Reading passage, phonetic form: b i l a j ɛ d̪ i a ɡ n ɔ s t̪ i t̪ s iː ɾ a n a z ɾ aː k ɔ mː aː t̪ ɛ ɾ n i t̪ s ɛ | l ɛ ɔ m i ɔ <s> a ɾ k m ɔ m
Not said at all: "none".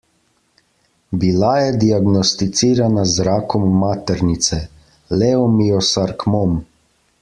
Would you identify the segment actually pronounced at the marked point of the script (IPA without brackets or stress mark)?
s